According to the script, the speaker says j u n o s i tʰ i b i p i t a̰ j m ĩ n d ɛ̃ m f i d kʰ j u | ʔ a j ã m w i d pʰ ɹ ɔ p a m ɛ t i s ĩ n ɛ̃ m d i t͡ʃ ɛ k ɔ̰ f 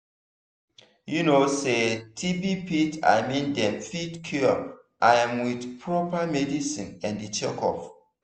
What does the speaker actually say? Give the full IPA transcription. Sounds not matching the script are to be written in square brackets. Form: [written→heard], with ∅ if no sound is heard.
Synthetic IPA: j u n o s [i→e] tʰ i b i p i t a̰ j m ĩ n d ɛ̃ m f i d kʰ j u | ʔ a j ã m w i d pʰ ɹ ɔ p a m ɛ [t→d] i s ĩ n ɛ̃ [m→n] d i t͡ʃ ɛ k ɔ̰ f

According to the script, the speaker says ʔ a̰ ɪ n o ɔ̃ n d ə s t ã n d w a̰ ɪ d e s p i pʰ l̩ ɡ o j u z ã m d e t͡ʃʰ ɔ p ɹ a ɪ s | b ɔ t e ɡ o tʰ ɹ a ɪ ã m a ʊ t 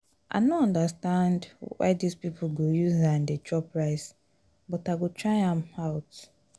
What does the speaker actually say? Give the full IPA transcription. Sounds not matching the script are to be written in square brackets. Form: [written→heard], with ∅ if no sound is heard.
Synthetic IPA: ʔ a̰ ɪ n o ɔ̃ n d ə s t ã n d w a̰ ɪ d [e→i] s p i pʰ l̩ ɡ o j u z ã [m→n] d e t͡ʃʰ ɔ p ɹ a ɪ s | b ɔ t [e→a] ɡ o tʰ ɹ a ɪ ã m a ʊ t

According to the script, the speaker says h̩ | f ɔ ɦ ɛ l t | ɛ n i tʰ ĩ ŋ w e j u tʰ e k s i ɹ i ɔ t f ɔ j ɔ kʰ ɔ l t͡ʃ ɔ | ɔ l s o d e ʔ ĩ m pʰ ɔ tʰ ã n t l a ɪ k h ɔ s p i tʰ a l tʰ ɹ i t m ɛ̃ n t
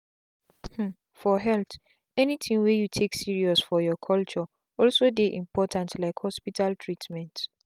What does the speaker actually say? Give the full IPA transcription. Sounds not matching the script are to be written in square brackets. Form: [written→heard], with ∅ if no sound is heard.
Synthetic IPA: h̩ | f ɔ ɦ ɛ l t | ɛ n i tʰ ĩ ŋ w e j u tʰ e k s i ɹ i ɔ [t→s] f ɔ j ɔ kʰ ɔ l t͡ʃ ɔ | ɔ l s o d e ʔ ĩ m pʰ ɔ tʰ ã n t l a ɪ k h ɔ s p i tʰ a l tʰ ɹ i t m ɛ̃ n t

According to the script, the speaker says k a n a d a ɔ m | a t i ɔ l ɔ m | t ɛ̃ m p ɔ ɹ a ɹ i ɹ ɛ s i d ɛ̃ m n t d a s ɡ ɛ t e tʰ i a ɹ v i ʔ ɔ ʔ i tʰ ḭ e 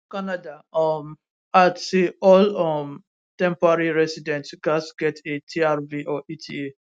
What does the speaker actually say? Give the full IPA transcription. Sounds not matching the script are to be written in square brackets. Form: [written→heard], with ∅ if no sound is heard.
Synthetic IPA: k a n a d a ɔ m | a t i ɔ l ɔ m | t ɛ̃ m p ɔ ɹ a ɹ i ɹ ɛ s i d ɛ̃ [m→∅] n t [d→ɡ] a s ɡ ɛ t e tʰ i a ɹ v i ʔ ɔ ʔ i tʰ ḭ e

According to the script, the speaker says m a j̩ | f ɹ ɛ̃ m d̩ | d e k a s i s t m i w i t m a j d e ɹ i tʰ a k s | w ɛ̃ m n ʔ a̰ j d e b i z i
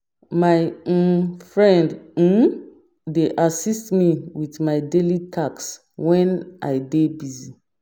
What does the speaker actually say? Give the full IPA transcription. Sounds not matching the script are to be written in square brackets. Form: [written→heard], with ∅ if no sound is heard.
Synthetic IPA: m a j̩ | f ɹ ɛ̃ [m→n] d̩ | d e [k→ʔ] a s i s t m i w i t m a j d e [ɹ→l] i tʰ a k s | w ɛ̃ [m→∅] n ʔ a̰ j d e b i z i

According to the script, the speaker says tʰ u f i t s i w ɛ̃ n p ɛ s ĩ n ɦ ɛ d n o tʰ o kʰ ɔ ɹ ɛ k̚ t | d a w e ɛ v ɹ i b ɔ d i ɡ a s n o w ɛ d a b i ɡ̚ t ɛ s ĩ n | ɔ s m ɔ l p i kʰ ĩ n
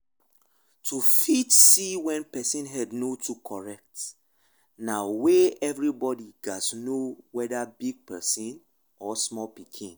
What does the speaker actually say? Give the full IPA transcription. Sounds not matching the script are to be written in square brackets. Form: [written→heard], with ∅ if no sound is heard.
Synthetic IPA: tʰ u f i t s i w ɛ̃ n p ɛ s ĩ n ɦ ɛ d n o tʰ [o→u] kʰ ɔ ɹ ɛ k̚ t | [d→n] a w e ɛ v ɹ i b ɔ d i ɡ a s n o w ɛ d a b i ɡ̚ [t→p] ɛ s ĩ n | ɔ s m ɔ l p i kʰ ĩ n

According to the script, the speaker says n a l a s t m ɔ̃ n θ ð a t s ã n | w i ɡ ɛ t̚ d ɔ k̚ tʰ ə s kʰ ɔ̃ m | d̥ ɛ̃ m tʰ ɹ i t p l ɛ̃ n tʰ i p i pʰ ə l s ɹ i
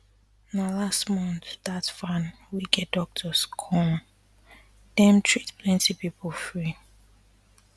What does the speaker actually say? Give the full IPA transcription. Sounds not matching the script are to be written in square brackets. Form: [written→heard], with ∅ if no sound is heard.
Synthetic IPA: n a l a s t m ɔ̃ n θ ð a t [s→f] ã n | w i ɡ ɛ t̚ d ɔ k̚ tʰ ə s kʰ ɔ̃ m | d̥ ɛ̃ m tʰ ɹ i t p l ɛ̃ n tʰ i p i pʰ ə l [s→f] ɹ i

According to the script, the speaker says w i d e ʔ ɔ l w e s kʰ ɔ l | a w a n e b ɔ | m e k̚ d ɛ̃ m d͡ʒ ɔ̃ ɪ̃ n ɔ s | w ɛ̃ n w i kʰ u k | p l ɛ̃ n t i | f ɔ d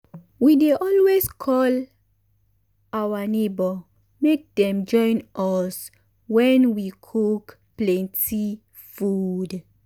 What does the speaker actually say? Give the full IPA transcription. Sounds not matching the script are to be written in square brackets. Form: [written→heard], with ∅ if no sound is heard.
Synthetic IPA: w i d e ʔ ɔ l w e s kʰ ɔ l | a w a n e b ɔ | m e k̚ d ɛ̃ m d͡ʒ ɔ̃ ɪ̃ n ɔ s | w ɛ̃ n w i kʰ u k | p l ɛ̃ n t i | f [ɔ→u] d

